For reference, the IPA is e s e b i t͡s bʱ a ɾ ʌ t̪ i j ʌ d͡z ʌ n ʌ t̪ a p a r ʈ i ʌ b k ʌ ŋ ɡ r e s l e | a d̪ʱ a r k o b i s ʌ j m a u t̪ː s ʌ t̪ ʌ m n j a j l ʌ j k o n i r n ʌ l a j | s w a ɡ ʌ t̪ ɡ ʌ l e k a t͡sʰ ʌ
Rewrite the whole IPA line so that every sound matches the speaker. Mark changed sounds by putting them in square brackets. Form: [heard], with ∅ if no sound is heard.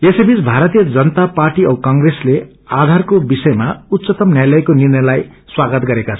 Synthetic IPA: e s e b i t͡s bʱ a ɾ ʌ t̪ i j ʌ d͡z ʌ n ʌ t̪ a p a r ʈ i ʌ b k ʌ ŋ ɡ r e s l e | a d̪ʱ a r k o b i s ʌ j m a u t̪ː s ʌ t̪ ʌ m n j a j l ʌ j k o n i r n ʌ l a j | s w a ɡ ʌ t̪ ɡ ʌ [ɾ] e k a t͡sʰ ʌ